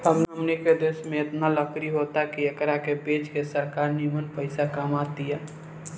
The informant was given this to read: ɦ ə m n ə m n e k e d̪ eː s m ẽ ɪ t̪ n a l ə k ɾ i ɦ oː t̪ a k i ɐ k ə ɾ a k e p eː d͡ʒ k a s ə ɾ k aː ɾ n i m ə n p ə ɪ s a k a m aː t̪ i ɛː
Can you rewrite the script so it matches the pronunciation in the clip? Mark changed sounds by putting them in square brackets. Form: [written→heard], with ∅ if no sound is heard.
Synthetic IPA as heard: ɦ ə m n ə m n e k e d̪ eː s m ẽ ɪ t̪ n a l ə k ɾ i ɦ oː t̪ a k i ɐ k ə ɾ a k e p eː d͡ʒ k [a→e] s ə ɾ k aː ɾ n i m ə n p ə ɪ s a k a m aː t̪ i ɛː

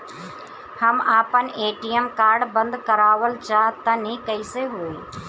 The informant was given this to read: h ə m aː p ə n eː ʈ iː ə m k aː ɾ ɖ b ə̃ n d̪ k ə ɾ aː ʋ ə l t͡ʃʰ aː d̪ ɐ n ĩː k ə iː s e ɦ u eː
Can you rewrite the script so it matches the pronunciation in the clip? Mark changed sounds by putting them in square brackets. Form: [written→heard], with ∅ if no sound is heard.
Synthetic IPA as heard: h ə m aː p ə n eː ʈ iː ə m k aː ɾ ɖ b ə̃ n d̪ k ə ɾ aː ʋ ə l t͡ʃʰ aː [d̪→t̪] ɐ n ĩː k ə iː s e ɦ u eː

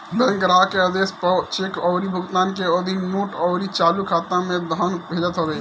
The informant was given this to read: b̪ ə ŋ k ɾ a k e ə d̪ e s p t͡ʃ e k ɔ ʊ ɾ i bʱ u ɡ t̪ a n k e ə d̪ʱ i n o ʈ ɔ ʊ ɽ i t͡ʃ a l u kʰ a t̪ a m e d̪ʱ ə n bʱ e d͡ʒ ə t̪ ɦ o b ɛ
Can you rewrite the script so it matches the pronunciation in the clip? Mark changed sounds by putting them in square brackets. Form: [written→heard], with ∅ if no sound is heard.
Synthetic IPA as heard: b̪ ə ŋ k ɾ a k e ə d̪ e s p t͡ʃ e k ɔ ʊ ɾ i bʱ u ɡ t̪ a n k e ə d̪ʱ i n o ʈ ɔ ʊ [ɽ→ɾ] i t͡ʃ a l u kʰ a t̪ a m e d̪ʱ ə n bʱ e d͡ʒ ə t̪ ɦ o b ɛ

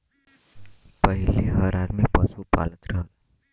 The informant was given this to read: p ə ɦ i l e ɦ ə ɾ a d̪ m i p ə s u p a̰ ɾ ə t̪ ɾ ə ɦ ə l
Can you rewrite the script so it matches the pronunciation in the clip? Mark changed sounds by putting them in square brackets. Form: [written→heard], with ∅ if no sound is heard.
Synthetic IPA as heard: p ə ɦ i l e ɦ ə ɾ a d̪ m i p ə s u p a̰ [ɾ→l] ə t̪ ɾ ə ɦ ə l

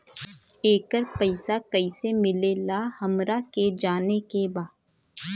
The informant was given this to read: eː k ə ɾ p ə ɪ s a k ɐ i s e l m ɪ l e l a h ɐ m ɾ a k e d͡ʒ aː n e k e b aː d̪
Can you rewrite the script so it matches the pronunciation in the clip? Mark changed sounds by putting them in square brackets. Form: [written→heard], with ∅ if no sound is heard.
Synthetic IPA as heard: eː k ə ɾ p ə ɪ s a k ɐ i s e [l→∅] m ɪ l e l a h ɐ m ɾ a k e d͡ʒ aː n e k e b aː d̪

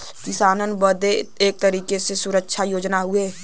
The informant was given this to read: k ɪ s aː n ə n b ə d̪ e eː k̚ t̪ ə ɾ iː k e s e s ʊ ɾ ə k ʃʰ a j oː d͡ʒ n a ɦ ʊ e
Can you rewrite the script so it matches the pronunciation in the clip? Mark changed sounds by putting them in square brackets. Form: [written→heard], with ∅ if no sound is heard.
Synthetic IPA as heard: k ɪ s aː n ə n b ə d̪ e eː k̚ t̪ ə ɾ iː k e s e s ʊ ɾ ə k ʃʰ a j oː d͡ʒ n a ɦ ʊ e

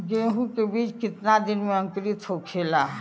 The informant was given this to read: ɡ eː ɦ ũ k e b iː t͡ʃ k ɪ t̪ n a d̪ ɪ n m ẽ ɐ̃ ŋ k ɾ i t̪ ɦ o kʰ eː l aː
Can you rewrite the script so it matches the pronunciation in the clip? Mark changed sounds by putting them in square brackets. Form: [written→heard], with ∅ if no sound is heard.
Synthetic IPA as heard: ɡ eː ɦ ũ k e b iː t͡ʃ k ɪ t̪ n a d̪ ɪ n m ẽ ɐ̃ ŋ k ɾ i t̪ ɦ o kʰ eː l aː

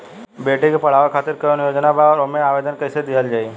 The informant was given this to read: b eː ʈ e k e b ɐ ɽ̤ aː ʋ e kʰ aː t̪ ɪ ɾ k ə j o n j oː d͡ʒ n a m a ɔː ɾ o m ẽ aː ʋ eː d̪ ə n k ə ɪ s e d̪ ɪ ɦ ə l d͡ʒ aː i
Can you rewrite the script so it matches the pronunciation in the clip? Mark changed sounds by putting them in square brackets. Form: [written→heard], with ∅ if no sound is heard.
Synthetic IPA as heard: b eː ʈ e k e [b→p] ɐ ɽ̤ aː ʋ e kʰ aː t̪ ɪ ɾ k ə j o n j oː d͡ʒ n a [m→b] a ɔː ɾ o m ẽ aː ʋ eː d̪ ə n k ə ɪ s e d̪ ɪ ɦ ə l d͡ʒ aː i

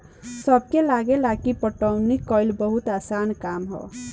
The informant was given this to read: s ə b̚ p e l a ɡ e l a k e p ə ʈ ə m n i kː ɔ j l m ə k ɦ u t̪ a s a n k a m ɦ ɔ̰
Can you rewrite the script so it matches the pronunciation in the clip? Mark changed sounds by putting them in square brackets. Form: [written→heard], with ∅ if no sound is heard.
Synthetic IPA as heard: s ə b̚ [p→k] e l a ɡ e l a k [e→i] p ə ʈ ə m n i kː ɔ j l [m→b] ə [k→∅] ɦ u t̪ a s a n k a m ɦ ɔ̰

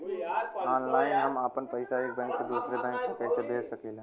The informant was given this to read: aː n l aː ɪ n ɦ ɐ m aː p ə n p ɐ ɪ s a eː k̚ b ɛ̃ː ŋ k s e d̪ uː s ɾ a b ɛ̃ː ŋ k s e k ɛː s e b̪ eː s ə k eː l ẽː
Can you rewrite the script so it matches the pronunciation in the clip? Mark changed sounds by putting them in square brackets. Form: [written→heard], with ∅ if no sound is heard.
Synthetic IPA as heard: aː n l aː ɪ n ɦ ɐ m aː p ə n p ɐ ɪ s a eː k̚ b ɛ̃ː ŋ k s e d̪ uː s ɾ [a→e] b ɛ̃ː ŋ k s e k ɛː s e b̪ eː s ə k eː l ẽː

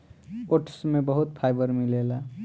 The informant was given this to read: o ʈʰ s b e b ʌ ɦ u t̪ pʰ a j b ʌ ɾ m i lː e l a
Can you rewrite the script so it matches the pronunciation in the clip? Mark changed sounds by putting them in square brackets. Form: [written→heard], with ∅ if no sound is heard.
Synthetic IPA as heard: o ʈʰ s [b→m] e b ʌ ɦ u t̪ pʰ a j b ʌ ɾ m i [lː→l] e l a

